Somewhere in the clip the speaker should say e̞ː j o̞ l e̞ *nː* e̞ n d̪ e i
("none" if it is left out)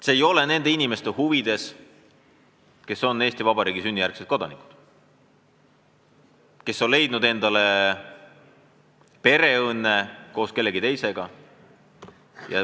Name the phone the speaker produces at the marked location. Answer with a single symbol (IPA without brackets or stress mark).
n